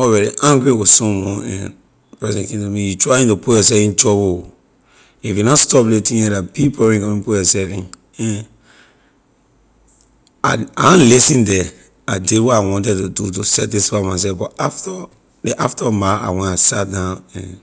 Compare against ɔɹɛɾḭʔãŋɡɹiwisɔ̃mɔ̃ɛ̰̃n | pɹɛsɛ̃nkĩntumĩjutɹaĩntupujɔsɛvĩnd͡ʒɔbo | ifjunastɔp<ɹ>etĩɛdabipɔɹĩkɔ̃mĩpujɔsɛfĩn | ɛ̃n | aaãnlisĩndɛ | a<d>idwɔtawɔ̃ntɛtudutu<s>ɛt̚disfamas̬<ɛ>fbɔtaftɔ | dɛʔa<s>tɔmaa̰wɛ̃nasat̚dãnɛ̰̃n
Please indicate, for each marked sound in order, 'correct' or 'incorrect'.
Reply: incorrect, correct, correct, correct, incorrect

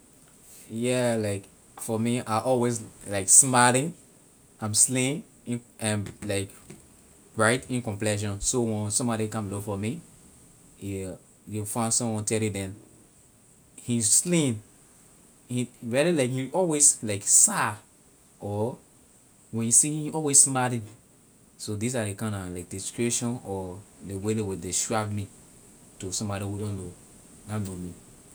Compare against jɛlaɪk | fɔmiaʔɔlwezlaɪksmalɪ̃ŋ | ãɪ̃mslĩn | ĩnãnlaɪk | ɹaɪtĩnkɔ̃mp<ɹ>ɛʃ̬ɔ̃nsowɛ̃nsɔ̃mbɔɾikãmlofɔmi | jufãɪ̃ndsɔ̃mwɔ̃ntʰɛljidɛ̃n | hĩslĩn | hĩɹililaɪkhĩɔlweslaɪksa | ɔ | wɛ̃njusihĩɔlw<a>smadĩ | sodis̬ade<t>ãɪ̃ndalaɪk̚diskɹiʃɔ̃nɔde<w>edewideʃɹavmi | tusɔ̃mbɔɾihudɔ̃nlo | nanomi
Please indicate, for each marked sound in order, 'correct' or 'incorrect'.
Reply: incorrect, incorrect, incorrect, correct

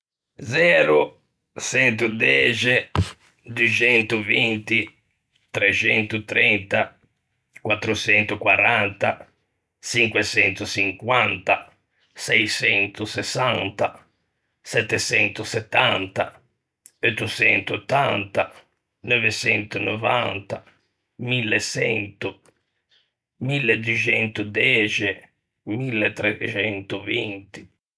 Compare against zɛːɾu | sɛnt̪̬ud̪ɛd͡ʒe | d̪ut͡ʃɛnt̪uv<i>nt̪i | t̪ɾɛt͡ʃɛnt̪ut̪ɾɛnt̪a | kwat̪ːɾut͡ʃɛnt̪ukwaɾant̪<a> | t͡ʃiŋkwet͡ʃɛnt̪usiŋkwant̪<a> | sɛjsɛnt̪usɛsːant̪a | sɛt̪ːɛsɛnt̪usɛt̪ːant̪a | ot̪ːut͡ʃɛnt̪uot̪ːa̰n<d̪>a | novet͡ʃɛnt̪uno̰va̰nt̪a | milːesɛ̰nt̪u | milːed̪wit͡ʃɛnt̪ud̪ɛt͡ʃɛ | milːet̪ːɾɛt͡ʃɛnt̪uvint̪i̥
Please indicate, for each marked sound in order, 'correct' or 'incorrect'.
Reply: correct, correct, correct, incorrect

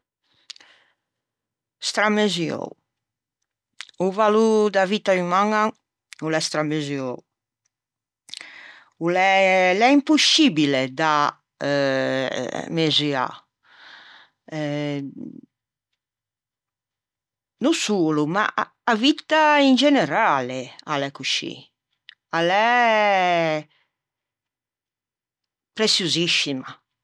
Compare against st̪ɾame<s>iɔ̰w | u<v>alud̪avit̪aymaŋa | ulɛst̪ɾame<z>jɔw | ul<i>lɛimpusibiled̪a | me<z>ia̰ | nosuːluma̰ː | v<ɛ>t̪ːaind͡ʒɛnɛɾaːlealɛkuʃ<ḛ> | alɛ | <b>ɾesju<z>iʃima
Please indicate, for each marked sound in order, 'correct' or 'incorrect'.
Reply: incorrect, correct, correct, incorrect, correct, incorrect, incorrect, incorrect, correct

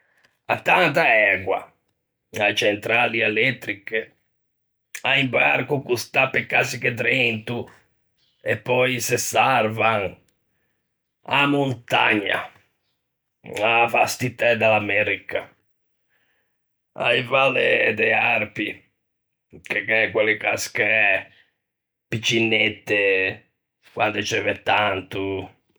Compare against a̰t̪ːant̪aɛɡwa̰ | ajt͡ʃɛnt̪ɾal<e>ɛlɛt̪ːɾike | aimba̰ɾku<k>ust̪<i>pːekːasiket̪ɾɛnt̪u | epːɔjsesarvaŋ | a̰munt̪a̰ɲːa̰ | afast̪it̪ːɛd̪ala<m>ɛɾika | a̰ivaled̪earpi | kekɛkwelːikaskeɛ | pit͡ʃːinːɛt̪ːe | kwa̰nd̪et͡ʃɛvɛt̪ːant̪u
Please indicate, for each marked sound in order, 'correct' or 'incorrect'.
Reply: incorrect, correct, incorrect, correct

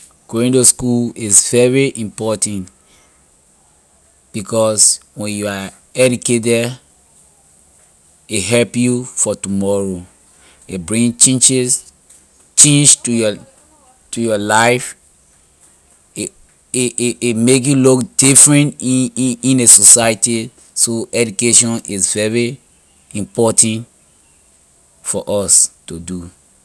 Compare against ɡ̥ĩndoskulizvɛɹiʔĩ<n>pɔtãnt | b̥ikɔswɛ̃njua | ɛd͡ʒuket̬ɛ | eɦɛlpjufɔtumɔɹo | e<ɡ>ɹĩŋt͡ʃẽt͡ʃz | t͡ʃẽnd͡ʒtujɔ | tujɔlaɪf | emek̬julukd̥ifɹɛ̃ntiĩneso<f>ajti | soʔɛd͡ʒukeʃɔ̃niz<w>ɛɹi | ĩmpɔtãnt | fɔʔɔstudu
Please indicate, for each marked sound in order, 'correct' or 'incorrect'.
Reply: incorrect, incorrect, incorrect, incorrect

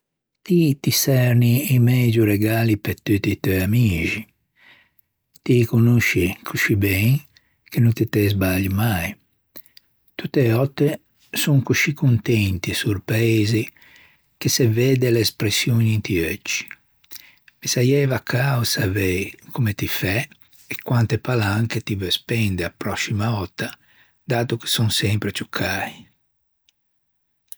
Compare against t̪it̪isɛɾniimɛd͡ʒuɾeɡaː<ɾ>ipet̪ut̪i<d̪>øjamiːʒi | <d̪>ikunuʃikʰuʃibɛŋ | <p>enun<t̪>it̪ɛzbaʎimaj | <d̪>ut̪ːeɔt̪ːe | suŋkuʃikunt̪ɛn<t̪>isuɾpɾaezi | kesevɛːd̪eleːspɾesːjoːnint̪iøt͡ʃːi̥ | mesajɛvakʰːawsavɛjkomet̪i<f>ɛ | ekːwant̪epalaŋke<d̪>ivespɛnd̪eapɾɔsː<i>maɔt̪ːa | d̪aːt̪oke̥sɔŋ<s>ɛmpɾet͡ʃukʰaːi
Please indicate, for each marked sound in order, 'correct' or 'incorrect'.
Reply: incorrect, incorrect, incorrect, incorrect, correct, incorrect, correct, correct, incorrect, correct, correct

